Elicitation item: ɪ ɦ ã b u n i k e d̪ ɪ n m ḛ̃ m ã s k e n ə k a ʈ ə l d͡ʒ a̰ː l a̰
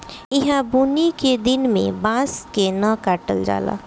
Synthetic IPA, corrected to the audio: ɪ ɦ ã b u n i k e d̪ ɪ n m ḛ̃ b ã s k e n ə k a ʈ ə l d͡ʒ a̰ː l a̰